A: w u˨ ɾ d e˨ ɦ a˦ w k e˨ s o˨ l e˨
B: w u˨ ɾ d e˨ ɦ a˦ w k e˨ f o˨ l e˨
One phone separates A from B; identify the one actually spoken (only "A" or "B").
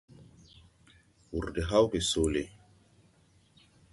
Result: A